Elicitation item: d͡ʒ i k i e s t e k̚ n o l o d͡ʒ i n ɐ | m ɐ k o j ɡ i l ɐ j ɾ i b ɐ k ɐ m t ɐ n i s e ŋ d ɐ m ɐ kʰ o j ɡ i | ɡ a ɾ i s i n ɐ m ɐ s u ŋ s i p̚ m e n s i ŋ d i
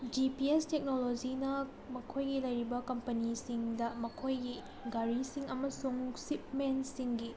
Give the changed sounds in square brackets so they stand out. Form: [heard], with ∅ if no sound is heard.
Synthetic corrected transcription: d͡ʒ i [p] i e s t e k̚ n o l o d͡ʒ i n ɐ | m ɐ [kʰ] o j ɡ i l ɐ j ɾ i b ɐ k ɐ m [p] ɐ n i s [i] ŋ d ɐ m ɐ kʰ o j ɡ i | ɡ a ɾ i s i [ŋ] ɐ m ɐ s u ŋ s i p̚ m e n s i ŋ [ɡ] i